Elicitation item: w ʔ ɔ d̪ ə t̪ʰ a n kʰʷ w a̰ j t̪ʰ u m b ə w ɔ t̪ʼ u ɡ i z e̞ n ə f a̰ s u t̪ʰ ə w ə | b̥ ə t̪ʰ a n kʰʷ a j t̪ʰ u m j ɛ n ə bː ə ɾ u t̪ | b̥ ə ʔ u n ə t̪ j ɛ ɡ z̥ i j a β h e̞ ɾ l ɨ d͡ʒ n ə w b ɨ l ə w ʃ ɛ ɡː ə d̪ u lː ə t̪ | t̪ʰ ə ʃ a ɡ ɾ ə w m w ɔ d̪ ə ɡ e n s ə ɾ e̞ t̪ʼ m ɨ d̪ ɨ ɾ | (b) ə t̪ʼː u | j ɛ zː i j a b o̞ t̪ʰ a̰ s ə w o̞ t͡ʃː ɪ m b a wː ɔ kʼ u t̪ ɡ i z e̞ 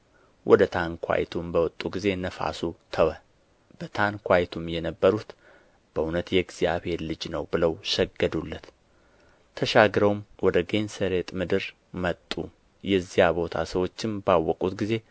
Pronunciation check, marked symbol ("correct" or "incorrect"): incorrect